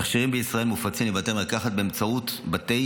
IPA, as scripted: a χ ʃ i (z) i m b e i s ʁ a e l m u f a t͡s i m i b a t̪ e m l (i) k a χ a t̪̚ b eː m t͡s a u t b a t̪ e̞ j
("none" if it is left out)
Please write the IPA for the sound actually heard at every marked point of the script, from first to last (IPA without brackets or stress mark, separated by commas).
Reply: ʁ, a